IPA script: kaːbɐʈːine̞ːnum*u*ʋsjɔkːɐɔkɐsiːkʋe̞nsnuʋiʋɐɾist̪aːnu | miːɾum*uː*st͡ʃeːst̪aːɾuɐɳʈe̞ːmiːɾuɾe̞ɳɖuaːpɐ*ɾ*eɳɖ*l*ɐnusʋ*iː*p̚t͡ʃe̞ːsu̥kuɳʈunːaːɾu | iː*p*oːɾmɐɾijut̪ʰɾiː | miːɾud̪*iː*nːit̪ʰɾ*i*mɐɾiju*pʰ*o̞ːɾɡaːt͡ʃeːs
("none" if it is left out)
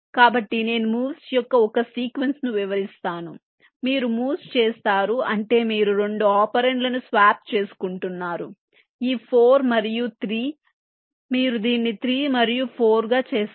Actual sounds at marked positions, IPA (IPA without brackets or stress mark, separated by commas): uː, uː, ɾ, l, aː, pʰ, iː, iː, pʰ